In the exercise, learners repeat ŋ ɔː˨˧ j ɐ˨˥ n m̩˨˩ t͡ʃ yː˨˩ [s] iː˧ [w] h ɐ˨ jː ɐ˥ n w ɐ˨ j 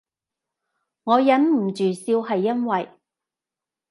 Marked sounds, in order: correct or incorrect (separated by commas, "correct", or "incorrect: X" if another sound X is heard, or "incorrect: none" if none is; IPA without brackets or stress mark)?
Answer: correct, correct